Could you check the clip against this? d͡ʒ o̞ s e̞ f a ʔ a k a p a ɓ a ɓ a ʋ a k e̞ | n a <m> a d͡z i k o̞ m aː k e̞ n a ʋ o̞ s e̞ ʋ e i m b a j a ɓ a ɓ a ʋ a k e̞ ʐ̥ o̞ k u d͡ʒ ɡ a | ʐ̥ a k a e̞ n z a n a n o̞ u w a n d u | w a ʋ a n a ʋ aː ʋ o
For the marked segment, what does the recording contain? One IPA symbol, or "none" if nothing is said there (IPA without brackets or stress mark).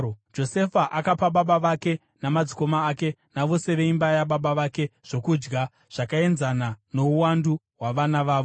m